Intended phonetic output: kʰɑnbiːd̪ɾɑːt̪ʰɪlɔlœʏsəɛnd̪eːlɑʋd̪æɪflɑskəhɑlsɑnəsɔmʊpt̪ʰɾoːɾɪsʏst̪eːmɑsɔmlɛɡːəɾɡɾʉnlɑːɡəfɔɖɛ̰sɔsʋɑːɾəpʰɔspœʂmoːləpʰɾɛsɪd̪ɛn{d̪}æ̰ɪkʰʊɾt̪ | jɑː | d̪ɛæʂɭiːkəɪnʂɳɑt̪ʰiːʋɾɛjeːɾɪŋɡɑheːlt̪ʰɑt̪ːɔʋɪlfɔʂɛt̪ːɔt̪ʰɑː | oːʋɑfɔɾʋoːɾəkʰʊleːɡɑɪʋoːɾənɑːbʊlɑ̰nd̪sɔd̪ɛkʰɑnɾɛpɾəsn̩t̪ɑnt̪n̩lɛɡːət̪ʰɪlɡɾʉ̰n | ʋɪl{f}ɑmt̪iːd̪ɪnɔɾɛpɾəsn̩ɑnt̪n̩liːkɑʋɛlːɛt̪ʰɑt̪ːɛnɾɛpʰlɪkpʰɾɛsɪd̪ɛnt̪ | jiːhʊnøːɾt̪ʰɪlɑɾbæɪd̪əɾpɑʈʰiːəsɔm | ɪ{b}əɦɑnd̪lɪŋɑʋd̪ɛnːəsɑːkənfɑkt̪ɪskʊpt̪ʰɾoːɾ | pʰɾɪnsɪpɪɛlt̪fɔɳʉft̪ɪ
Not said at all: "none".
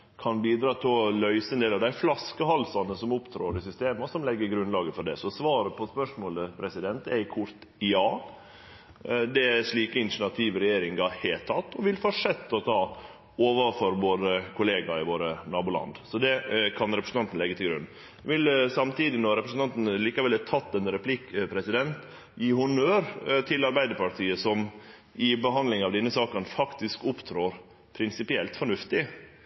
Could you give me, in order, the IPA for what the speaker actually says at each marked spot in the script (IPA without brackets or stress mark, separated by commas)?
t̪, s, b